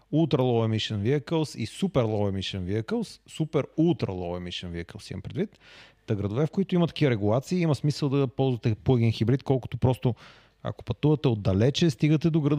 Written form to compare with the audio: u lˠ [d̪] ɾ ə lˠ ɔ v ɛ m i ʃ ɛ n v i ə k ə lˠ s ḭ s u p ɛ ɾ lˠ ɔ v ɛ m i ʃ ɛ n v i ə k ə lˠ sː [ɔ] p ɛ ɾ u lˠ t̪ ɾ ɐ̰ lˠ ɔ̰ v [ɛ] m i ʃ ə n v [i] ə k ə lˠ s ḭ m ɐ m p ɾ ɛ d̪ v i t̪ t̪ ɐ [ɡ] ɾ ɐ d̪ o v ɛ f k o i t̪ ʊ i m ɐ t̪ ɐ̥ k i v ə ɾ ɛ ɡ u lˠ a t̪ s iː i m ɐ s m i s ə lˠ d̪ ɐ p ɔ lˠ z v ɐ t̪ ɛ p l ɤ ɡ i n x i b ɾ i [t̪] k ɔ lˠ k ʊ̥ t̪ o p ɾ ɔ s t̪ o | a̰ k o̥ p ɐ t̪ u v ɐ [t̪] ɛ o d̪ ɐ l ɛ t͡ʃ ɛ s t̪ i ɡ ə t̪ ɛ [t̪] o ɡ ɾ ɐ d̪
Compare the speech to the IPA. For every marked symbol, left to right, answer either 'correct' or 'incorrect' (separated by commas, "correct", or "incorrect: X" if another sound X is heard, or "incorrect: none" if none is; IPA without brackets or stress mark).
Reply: incorrect: t̪, incorrect: u, correct, correct, correct, correct, correct, incorrect: d̪